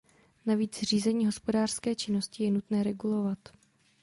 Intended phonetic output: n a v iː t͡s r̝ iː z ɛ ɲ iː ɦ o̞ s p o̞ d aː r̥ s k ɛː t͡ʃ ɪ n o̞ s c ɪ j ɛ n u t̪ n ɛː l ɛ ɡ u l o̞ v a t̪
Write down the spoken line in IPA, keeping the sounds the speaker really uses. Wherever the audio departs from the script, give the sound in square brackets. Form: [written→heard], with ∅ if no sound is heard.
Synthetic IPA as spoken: n a v iː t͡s r̝ iː z ɛ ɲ iː ɦ o̞ s p o̞ d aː r̥ s k ɛː t͡ʃ ɪ n o̞ s c ɪ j ɛ n u t̪ n ɛː [l→ɾ] ɛ ɡ u l o̞ v a t̪